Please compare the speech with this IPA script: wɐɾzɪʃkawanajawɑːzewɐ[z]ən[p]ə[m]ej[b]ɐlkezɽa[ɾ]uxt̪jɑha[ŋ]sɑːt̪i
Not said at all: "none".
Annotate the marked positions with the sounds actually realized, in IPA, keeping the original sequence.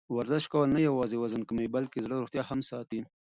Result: z, k, m, b, ɾ, m

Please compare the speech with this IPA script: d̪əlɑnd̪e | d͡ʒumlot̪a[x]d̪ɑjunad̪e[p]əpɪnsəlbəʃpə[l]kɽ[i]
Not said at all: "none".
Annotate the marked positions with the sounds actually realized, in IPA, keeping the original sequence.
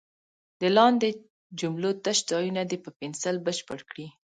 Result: ʃ, p, ɽ, i

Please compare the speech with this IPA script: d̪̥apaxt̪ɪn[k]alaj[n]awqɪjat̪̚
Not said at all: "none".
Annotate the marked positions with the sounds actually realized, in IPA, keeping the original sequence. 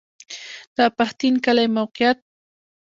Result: k, m

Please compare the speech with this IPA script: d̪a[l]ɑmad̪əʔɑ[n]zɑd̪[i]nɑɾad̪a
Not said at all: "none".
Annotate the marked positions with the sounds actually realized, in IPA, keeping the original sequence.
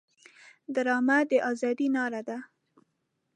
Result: ɾ, none, i

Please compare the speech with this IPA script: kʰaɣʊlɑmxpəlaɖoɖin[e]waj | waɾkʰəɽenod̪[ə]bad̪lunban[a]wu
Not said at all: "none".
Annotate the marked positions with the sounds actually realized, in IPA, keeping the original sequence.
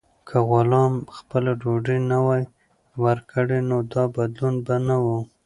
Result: a, ɑ, a

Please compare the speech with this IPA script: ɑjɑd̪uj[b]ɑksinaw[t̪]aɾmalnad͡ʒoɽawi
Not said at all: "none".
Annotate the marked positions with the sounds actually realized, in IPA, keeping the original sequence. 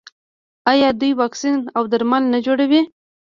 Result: w, d̪

